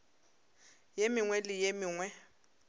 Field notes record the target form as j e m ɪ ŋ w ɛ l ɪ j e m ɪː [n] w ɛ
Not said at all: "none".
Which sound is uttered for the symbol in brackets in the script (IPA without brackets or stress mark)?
ŋ